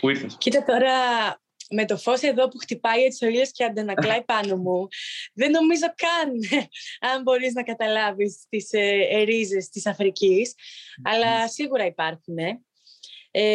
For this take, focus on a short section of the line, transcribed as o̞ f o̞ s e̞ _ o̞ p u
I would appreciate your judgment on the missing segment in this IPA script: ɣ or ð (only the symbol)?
ð